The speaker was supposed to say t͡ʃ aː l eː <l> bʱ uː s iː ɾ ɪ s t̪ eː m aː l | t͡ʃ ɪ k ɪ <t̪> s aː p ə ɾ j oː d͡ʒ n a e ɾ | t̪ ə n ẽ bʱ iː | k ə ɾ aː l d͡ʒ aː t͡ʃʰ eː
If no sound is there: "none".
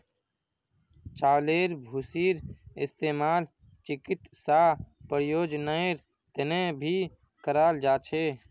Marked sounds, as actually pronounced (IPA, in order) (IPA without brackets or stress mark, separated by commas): ɾ, t̪